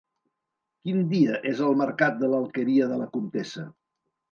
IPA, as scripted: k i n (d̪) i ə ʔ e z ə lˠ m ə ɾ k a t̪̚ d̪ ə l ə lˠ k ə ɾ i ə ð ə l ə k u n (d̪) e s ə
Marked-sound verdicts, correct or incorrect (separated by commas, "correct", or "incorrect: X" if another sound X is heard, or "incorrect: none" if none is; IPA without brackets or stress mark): correct, incorrect: t̪